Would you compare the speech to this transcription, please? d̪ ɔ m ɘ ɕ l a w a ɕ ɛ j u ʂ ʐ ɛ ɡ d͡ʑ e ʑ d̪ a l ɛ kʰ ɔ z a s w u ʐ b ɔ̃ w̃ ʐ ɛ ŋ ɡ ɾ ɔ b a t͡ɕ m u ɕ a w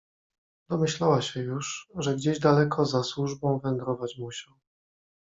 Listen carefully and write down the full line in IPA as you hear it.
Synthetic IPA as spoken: d̪ ɔ m ɘ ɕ l a w a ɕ ɛ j u ʂ ʐ ɛ ɡ d͡ʑ e ʑ d̪ a l ɛ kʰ ɔ z a s w u ʐ b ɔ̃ w̃ v ɛ ŋ ɡ ɾ ɔ v a t͡ɕ m u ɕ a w